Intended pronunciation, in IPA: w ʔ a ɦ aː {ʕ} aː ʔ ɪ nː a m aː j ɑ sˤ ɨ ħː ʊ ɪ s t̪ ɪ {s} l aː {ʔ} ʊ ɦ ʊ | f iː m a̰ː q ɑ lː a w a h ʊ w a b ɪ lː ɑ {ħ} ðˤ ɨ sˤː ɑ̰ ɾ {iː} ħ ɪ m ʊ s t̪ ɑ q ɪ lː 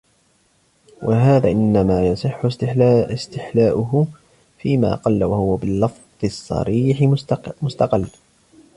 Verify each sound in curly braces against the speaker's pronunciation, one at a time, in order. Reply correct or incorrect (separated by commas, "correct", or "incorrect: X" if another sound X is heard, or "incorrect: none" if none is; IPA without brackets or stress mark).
incorrect: ð, incorrect: ħ, correct, incorrect: f, correct